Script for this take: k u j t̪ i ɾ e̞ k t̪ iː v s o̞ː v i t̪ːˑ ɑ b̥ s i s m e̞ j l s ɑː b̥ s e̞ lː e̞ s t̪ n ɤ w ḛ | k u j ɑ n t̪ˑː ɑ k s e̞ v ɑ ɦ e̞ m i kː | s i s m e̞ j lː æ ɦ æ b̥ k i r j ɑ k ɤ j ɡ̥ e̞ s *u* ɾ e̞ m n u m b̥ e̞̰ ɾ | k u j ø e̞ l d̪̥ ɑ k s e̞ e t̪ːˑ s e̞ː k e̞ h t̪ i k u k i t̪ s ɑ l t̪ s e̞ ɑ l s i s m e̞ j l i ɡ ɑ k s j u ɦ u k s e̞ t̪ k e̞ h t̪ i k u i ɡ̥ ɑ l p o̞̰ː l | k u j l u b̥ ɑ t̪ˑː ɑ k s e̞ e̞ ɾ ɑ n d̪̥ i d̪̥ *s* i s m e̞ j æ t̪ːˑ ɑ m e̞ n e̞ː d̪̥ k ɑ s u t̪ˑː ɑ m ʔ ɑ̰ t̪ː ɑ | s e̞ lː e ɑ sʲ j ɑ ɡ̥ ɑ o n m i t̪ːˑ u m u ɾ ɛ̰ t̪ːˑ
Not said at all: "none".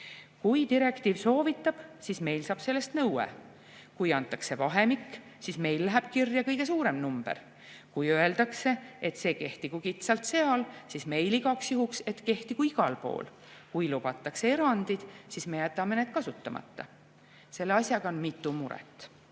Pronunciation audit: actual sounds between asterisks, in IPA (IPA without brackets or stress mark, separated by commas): uː, s